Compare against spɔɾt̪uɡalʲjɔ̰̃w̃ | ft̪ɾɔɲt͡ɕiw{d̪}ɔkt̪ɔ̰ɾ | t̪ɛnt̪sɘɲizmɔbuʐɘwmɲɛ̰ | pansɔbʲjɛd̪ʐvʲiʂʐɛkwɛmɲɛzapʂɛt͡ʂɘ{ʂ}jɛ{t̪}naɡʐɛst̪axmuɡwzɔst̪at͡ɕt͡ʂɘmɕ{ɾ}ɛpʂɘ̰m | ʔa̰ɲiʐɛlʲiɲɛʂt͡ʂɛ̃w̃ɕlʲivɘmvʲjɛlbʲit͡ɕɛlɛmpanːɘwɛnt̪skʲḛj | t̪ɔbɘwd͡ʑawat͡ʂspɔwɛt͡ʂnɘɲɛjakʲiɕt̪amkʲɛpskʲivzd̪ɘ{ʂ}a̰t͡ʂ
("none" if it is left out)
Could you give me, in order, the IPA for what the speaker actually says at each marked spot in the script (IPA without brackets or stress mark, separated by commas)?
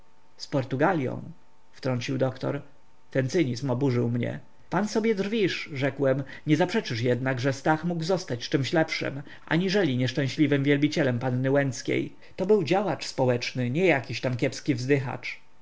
d̪, ʂ, d̪, l, x